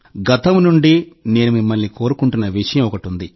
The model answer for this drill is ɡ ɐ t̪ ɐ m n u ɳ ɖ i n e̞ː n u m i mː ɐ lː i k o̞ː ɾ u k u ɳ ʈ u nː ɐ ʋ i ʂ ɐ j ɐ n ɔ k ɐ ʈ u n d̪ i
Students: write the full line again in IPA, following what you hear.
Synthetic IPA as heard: ɡ ɐ t̪ ɐ m n u ɳ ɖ i n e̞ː n u m i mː ɐ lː i k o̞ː ɾ u k u ɳ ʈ u nː ɐ ʋ i ʂ ɐ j ɐ m ɔ k ɐ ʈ u n d̪ i